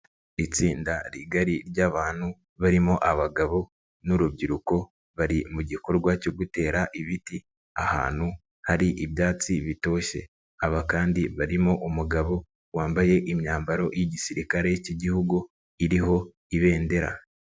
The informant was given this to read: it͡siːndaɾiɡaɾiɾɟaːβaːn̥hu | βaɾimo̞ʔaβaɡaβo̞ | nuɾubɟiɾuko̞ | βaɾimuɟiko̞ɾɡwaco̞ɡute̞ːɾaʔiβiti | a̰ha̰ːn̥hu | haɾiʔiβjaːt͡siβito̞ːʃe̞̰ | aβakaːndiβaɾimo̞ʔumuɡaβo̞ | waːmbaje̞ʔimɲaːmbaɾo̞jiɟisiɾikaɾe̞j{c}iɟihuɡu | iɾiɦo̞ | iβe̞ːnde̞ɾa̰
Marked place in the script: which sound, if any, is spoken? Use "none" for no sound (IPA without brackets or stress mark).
c